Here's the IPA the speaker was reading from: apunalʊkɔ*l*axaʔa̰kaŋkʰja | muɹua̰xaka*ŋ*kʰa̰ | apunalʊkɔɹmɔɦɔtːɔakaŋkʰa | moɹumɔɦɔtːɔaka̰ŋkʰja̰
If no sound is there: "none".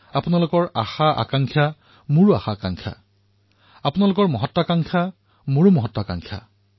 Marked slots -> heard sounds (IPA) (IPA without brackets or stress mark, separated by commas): ɹ, ŋ